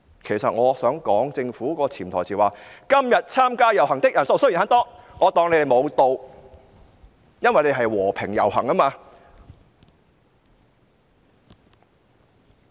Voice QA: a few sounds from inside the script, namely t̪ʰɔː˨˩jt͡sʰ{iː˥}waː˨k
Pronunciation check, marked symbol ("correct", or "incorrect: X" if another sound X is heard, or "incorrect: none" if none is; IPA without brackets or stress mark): incorrect: iː˨˩